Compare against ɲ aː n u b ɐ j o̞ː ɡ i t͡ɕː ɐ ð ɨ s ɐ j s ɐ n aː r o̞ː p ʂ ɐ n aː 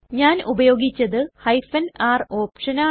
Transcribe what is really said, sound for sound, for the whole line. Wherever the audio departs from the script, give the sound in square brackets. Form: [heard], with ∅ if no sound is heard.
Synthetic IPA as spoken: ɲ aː n u b ɐ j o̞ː ɡ i t͡ɕː ɐ ð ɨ [h] ɐ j [f] ɐ n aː r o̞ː p ʂ ɐ n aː